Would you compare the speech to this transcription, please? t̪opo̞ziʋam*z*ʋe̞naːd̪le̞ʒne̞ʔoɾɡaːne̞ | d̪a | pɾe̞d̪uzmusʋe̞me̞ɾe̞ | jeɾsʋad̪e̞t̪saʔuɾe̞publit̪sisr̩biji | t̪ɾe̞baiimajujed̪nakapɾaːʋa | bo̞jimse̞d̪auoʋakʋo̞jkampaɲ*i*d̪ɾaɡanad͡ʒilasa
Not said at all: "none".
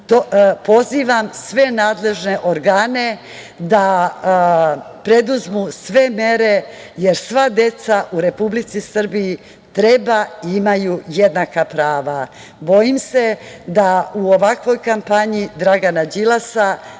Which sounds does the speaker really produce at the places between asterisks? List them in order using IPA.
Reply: s, i

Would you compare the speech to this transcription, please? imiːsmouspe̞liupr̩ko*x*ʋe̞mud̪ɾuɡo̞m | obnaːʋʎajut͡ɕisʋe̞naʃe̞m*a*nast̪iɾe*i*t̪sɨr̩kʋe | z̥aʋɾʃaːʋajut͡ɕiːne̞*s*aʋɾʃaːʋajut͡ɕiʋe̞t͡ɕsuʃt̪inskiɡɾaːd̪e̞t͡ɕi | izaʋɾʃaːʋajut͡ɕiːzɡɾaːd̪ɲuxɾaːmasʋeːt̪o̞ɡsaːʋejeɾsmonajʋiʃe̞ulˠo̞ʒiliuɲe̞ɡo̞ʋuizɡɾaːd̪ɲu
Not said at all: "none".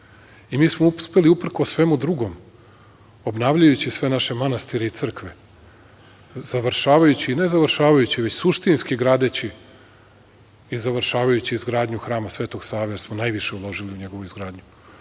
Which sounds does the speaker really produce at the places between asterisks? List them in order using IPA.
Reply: s, a, i, z

